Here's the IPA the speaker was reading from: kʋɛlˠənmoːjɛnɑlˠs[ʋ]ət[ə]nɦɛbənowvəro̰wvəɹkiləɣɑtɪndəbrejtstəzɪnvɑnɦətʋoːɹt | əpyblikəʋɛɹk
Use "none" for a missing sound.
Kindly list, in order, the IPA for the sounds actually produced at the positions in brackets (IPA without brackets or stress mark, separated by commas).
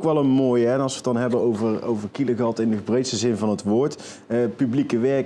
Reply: ʋ, ɑ